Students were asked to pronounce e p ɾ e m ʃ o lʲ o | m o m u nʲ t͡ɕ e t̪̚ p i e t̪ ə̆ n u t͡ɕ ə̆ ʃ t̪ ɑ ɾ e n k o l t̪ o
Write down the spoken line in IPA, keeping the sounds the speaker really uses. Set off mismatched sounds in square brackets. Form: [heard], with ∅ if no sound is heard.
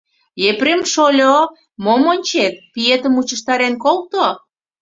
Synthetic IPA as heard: e p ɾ e m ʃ o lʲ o | m o m [o] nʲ t͡ɕ e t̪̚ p i e t̪ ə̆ [m] u t͡ɕ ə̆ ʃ t̪ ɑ ɾ e n k o l t̪ o